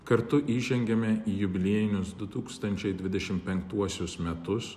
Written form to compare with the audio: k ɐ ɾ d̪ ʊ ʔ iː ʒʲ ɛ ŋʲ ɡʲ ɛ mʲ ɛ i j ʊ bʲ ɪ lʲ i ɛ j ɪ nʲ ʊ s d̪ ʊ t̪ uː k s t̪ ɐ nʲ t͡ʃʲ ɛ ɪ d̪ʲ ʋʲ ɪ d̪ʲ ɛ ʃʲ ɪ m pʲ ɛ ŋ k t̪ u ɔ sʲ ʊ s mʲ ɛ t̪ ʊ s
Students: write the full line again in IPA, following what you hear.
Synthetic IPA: k ɐ ɾ t̪ ʊ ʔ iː ʒʲ ɛ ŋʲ ɡʲ ɛ mʲ ɛ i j ʊ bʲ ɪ lʲ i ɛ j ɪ nʲ ʊ s d̪ ʊ t̪ uː k s t̪ ɐ nʲ t͡ʃʲ ɛ ɪ d̪ʲ ʋʲ ɪ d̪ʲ ɛ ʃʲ ɪ m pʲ ɛ ŋ k t̪ u ɔ sʲ ʊ s mʲ ɛ t̪ ʊ s